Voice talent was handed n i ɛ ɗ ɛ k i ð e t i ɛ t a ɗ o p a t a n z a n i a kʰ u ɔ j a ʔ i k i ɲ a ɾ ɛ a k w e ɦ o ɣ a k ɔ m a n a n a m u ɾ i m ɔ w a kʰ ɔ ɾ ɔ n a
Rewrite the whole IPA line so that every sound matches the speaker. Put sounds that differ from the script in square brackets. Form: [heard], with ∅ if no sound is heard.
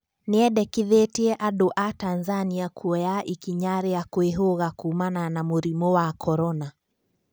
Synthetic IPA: n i ɛ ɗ ɛ k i ð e t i ɛ [ʔ] a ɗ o [ʔ] a t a n z a n i a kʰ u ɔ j a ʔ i k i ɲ a ɾ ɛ a k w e ɦ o ɣ a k [u] m a n a n a m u ɾ i m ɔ w a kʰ ɔ ɾ ɔ n a